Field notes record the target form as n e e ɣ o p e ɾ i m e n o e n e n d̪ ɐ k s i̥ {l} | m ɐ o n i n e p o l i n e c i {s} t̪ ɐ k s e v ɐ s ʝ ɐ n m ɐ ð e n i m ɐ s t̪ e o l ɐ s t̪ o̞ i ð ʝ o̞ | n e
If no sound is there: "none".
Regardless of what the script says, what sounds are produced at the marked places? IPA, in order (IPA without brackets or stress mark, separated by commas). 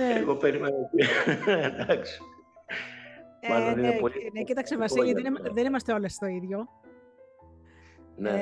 none, none